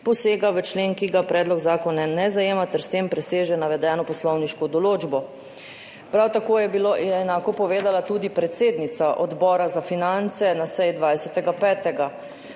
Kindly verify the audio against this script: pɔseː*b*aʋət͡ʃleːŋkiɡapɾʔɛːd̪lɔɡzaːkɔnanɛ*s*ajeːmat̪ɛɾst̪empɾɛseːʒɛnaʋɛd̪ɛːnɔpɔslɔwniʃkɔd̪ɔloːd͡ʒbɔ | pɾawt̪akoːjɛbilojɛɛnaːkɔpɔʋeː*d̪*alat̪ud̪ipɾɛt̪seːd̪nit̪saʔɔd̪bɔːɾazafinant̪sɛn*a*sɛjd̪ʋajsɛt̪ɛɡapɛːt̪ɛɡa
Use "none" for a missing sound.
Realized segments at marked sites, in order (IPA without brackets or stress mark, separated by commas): ɡ, z, d̪, a